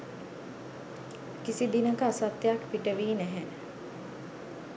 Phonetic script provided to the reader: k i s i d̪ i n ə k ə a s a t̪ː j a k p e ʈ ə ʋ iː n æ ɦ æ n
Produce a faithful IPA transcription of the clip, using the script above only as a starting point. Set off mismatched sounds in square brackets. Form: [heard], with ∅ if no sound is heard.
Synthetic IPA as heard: k i s i d̪ i n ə k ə a s a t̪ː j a k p [i] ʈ ə ʋ iː n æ ɦ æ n